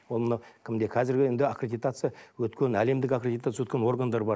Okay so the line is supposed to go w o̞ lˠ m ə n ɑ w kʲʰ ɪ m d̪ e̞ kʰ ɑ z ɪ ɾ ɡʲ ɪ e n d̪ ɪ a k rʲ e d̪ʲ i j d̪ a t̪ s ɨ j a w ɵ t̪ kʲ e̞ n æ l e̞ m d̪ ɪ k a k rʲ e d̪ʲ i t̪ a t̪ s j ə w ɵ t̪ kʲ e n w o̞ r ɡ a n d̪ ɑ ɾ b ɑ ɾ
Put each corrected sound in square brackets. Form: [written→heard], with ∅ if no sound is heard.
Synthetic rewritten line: w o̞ lˠ m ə n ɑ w kʲʰ ɪ m d̪ e̞ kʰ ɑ z ɪ ɾ ɡʲ ɪ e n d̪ ɪ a k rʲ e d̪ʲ i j [d̪→t̪] a t̪ s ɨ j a w ɵ t̪ kʲ e̞ n æ l e̞ m d̪ ɪ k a k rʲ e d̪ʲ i t̪ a t̪ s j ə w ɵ t̪ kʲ e n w o̞ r ɡ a n d̪ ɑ ɾ b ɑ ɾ